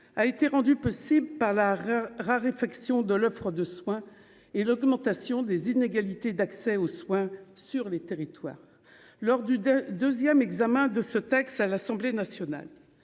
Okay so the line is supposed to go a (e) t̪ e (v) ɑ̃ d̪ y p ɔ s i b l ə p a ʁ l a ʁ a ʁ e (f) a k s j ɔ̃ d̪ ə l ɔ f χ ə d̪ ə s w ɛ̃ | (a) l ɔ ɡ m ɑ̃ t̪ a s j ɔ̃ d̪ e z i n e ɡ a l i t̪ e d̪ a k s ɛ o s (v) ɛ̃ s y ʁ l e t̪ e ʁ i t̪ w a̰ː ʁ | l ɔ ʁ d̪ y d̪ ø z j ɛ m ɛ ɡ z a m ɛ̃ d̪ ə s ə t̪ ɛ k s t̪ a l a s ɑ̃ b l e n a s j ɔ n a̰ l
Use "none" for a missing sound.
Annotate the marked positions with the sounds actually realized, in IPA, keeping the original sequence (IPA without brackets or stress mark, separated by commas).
e, ʁ, f, e, w